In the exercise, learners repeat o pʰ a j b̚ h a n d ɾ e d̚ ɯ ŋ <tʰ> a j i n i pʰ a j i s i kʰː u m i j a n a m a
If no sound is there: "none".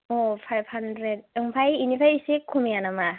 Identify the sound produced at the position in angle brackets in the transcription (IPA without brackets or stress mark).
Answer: pʰ